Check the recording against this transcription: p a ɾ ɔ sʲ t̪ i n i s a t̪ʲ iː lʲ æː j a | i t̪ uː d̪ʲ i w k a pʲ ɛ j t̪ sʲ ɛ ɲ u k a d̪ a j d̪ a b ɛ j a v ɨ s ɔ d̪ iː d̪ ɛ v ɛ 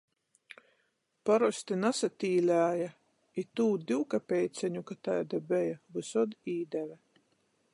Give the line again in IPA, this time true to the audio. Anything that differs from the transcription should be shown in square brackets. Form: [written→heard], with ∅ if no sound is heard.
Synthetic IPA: p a ɾ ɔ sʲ t̪ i n [i→a] s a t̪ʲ iː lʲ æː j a | i t̪ uː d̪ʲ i w k a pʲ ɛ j t̪ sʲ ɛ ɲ u k a [d̪→t̪] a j d̪ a b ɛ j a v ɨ s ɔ d̪ iː d̪ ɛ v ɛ